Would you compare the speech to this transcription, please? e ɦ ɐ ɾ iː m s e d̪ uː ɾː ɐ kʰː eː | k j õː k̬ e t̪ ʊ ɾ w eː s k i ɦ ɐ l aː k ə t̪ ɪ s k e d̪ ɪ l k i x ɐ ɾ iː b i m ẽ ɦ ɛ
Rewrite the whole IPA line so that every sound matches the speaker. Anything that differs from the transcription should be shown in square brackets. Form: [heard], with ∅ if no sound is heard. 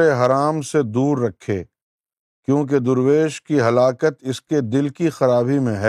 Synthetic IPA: e ɦ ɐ ɾ [aː] m s e d̪ uː ɾː ɐ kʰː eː | k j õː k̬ e [d̪] ʊ ɾ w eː [ʃ] k i ɦ ɐ l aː k ə t̪ ɪ s k e d̪ ɪ l k i x ɐ ɾ [aː] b i m ẽ ɦ ɛ